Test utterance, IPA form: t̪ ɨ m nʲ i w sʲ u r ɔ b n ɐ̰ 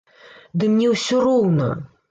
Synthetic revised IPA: d̪ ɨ m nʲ ɛ w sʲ ɔ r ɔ w n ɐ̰